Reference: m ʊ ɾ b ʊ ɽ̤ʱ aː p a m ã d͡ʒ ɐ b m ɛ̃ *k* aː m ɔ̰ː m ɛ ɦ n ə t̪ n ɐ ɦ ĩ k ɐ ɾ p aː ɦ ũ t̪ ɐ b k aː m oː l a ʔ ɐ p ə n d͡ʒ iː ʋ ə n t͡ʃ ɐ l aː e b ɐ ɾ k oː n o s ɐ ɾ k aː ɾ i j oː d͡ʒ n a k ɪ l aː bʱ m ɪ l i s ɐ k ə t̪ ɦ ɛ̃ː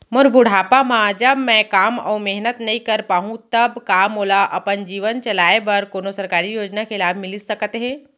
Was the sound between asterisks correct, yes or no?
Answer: yes